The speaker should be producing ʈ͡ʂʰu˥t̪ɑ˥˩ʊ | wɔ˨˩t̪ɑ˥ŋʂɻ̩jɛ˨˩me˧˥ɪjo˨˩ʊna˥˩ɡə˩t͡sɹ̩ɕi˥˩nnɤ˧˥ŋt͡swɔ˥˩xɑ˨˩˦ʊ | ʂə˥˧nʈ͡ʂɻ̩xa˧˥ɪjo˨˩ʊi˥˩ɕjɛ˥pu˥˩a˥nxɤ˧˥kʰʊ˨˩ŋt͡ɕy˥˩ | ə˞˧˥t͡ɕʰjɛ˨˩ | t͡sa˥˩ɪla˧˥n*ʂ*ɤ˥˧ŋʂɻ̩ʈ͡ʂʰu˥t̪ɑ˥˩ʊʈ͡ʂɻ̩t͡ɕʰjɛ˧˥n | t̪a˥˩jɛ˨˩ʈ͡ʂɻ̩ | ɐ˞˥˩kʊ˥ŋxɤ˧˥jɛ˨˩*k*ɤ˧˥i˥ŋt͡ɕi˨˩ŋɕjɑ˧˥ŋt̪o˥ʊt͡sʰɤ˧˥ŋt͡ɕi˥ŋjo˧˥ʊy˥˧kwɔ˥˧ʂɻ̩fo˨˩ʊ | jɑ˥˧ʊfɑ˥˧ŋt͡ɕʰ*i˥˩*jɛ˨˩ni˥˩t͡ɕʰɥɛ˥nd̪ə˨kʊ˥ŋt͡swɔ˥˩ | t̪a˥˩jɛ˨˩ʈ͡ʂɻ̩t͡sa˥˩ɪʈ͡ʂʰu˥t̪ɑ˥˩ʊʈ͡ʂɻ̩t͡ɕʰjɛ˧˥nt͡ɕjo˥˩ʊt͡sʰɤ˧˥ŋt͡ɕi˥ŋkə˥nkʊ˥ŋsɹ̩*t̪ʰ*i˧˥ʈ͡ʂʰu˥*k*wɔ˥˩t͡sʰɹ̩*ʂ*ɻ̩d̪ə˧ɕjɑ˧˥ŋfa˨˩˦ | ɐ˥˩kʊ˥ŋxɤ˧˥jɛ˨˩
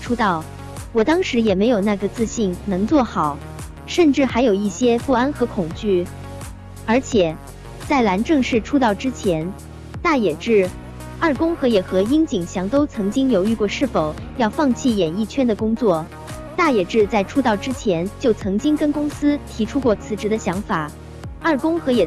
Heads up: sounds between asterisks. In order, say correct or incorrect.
incorrect: ʈ͡ʂ, incorrect: x, correct, correct, correct, incorrect: ʈ͡ʂ

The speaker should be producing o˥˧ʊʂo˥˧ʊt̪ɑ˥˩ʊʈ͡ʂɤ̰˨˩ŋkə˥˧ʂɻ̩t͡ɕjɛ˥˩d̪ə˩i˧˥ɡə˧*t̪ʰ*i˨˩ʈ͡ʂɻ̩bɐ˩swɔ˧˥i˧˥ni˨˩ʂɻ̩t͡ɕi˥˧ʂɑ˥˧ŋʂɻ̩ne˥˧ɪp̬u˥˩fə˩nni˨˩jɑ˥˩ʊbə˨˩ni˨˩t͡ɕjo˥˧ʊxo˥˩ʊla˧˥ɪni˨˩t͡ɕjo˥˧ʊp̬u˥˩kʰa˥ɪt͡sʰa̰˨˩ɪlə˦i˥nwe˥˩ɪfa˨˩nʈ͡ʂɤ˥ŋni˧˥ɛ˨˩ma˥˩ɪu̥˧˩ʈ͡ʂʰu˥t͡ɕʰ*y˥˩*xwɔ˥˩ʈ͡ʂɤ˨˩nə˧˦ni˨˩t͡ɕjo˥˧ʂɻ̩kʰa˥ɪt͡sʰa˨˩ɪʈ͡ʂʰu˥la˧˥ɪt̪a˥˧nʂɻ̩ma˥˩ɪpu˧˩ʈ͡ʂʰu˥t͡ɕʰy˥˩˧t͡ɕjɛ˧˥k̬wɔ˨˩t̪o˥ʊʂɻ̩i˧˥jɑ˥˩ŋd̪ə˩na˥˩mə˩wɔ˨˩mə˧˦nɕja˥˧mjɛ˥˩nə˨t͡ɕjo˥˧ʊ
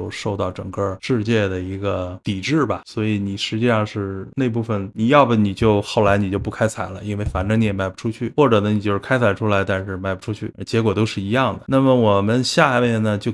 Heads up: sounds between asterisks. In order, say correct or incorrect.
incorrect: t̪, correct

